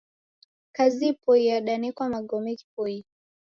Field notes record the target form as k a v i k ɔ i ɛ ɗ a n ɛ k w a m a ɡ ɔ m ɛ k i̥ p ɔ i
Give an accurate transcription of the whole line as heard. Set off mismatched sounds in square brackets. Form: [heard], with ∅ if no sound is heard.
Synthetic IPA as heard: k a [z] i [p] ɔ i [a] ɗ a n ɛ k w a m a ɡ ɔ m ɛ k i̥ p ɔ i